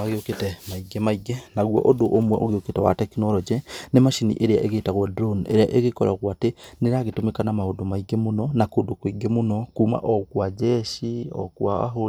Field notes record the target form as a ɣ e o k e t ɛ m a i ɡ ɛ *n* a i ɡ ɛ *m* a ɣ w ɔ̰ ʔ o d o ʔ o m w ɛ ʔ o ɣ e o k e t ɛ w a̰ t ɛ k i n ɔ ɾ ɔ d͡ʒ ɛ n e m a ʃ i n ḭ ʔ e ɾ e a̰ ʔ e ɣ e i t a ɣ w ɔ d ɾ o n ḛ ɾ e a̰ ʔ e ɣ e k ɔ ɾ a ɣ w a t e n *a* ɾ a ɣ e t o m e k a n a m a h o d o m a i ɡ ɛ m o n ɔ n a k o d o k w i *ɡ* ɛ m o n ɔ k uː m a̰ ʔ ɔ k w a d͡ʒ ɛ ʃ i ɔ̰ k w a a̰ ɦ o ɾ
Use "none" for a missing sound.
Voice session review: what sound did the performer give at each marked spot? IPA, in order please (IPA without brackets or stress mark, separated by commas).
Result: m, n, e, ɡ